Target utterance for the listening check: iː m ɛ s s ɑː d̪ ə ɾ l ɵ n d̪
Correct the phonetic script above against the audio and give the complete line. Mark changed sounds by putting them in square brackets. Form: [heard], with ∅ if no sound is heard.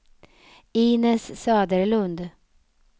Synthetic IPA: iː [n] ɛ s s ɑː d̪ ə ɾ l ɵ n d̪